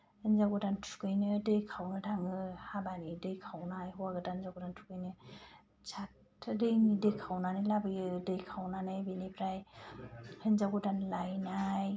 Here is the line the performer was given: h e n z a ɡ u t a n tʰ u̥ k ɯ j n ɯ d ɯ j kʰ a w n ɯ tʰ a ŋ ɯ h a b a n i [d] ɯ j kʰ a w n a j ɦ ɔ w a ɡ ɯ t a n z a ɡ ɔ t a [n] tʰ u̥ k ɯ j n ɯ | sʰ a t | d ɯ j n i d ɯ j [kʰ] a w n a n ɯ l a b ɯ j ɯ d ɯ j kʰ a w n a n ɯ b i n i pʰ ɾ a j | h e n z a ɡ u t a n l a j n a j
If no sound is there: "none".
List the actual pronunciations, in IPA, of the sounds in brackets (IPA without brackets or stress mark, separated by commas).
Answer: d, n, kʰ